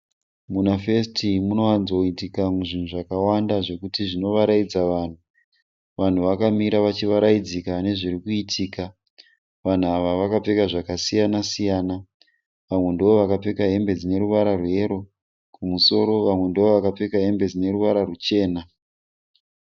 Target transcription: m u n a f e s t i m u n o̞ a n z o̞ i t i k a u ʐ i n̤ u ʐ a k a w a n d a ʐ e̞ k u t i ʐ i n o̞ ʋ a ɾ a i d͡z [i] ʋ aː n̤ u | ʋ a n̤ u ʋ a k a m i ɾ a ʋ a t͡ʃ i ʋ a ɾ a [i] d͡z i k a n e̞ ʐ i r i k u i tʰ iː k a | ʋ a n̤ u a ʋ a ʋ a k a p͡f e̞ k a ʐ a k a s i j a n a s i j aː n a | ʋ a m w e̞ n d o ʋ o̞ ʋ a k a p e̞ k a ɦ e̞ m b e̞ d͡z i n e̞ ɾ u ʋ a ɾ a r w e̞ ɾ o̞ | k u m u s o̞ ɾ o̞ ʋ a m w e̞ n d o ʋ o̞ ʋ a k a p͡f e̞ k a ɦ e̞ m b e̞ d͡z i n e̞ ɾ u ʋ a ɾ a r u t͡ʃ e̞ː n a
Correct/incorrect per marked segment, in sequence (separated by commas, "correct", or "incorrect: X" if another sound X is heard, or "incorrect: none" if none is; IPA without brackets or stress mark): incorrect: a, correct